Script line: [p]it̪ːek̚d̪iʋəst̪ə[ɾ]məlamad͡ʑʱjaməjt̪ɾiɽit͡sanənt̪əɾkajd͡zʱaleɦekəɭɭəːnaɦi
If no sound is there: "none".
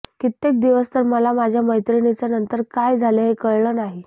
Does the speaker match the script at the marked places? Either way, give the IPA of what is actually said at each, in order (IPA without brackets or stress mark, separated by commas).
k, ɾ